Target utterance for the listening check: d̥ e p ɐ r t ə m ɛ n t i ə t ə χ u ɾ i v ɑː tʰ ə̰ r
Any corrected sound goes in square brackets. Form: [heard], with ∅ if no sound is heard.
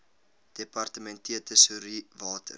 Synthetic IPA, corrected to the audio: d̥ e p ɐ r t ə m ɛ n t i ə t ə [s] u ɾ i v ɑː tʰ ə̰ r